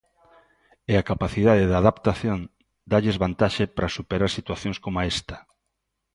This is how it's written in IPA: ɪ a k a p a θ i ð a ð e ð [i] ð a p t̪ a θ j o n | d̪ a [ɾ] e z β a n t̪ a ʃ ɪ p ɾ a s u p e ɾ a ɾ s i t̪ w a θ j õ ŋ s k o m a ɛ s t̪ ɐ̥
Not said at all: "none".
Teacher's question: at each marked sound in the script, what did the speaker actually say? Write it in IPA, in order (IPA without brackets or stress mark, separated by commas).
a, ʎ